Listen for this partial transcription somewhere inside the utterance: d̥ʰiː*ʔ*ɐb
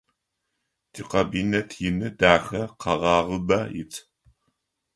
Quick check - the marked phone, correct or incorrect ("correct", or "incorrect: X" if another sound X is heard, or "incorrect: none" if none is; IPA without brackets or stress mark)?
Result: incorrect: q